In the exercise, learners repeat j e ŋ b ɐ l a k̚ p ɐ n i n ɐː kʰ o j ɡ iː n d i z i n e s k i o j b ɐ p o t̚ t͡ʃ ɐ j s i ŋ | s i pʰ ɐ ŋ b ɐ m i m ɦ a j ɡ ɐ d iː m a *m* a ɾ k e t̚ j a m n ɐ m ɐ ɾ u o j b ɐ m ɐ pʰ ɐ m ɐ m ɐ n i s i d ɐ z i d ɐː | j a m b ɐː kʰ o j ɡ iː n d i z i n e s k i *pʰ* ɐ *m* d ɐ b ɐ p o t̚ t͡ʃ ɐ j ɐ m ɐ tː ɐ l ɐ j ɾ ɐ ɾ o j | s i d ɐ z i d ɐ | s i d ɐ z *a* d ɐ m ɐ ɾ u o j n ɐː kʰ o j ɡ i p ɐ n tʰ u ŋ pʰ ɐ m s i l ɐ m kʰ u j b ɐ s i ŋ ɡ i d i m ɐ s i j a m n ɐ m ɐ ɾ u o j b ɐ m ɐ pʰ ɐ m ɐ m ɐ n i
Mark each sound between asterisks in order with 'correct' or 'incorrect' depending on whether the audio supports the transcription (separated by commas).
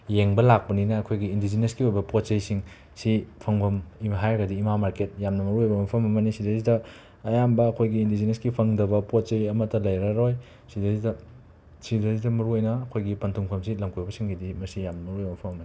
correct, correct, incorrect, incorrect